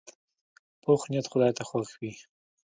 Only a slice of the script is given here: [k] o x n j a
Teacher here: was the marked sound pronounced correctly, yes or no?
no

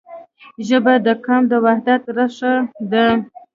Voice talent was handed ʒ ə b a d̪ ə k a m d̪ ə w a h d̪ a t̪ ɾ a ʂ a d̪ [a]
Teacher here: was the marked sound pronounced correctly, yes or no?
no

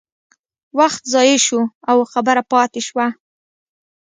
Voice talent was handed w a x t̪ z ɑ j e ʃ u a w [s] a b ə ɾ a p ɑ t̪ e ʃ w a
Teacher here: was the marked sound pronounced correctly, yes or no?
no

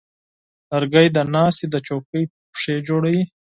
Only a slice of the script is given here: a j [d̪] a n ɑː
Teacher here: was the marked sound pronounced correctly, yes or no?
yes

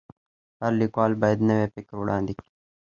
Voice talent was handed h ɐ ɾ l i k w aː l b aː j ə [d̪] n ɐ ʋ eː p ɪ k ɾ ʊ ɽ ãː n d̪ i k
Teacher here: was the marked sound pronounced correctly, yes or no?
yes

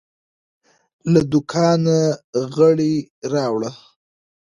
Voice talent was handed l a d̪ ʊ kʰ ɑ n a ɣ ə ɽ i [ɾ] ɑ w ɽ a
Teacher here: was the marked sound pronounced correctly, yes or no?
yes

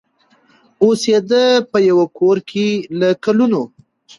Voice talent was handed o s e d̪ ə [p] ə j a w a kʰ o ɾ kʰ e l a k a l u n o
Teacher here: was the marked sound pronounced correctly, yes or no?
yes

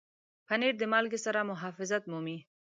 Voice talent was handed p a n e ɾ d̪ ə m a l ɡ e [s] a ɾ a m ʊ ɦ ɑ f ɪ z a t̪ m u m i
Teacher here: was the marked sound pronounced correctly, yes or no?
yes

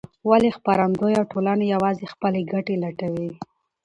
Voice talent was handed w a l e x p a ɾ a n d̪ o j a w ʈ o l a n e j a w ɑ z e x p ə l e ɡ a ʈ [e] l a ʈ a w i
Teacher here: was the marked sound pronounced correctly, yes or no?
yes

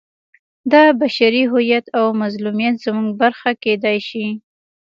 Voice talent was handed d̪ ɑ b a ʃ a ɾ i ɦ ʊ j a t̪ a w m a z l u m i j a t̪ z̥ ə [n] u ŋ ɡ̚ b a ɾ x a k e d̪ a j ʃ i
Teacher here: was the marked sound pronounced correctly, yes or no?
no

